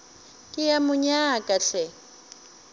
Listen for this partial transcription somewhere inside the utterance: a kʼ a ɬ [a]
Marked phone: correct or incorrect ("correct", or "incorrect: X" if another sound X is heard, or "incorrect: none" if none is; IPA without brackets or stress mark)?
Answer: incorrect: ɛ